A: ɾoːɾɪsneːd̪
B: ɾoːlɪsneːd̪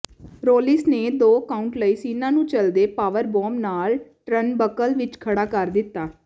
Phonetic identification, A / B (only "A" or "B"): B